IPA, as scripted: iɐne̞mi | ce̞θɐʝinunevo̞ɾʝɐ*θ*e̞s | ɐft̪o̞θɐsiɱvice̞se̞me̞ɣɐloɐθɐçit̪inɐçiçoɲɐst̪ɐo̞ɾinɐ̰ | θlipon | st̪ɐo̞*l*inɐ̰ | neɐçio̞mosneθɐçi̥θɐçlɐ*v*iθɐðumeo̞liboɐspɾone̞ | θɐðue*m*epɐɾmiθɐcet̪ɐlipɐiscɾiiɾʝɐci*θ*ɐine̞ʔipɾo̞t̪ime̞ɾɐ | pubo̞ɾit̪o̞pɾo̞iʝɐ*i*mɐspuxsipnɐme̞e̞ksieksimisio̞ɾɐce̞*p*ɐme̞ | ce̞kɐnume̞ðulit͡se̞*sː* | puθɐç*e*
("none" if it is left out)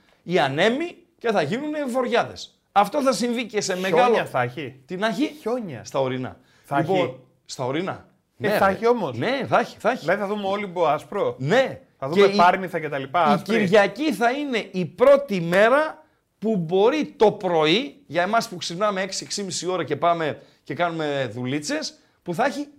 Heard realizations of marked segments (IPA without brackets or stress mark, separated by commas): ð, ɾ, ð, m, θ, e, p, s, i